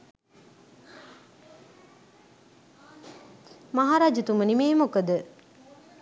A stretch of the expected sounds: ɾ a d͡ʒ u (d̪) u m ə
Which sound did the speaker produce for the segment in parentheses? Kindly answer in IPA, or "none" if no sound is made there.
t̪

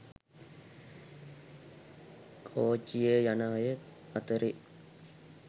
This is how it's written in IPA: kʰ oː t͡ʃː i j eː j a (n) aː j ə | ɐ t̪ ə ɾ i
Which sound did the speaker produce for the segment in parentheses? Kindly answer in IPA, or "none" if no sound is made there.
n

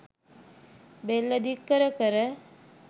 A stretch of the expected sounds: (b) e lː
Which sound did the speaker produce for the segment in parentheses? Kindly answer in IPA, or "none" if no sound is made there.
b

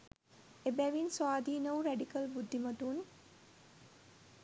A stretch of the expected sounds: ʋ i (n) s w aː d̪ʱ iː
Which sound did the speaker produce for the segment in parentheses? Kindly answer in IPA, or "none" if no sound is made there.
n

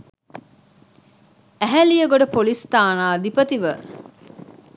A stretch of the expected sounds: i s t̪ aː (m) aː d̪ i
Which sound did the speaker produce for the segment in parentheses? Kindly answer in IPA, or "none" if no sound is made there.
n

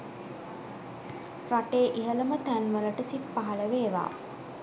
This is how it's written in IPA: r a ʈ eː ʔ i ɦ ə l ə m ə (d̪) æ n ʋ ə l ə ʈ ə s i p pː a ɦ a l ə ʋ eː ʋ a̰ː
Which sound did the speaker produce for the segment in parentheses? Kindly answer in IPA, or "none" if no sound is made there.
t̪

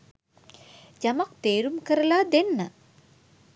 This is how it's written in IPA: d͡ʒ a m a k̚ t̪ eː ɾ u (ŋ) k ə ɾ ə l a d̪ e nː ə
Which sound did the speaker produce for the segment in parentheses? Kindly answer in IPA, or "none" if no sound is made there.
m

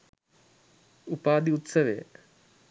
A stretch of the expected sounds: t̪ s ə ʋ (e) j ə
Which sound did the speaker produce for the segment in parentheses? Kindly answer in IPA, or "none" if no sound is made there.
e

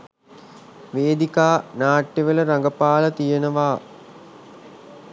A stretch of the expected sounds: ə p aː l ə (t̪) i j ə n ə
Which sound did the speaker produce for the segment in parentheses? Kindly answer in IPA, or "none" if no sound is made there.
t̪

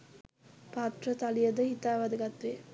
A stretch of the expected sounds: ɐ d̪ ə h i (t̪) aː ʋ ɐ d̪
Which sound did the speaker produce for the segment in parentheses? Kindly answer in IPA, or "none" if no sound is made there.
t̪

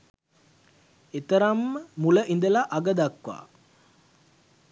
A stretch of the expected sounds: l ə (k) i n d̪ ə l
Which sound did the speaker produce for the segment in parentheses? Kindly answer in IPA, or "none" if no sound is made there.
ʔ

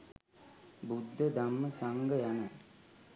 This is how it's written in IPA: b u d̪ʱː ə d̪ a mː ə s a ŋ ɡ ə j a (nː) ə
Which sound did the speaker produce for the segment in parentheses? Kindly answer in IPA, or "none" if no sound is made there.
n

